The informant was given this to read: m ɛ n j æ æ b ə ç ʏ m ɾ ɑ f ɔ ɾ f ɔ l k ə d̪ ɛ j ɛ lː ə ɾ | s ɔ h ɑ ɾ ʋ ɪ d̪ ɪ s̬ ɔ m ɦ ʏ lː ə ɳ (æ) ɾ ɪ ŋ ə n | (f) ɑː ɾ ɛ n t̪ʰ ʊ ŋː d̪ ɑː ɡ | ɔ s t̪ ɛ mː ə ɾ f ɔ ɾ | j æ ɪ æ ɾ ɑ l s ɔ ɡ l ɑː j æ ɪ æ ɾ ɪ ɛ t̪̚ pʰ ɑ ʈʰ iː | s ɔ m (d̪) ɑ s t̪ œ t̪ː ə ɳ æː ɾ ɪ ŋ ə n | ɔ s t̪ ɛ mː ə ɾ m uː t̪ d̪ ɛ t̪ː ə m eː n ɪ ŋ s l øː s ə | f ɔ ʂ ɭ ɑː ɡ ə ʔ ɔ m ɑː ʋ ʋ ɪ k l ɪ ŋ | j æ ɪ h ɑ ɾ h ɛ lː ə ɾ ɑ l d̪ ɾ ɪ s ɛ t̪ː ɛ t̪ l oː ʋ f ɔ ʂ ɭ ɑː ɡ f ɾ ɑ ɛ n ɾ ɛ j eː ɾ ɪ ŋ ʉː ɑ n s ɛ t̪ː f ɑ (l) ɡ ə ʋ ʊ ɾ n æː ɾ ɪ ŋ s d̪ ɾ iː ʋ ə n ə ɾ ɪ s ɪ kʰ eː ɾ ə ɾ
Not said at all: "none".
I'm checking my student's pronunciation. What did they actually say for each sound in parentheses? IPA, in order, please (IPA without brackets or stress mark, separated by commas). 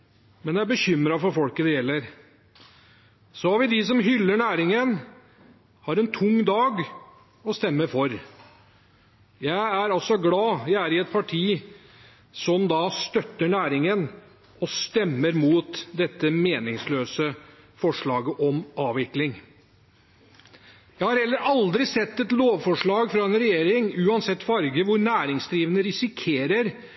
æː, h, d̪, ɾ